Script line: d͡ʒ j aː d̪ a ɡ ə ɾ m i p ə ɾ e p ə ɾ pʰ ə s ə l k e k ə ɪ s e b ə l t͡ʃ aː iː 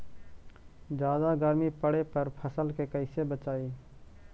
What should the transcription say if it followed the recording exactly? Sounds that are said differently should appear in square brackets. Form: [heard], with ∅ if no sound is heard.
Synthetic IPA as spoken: d͡ʒ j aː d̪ a ɡ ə ɾ m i p ə [ɽ] e p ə ɾ pʰ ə s ə l k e k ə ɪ s e b ə [∅] t͡ʃ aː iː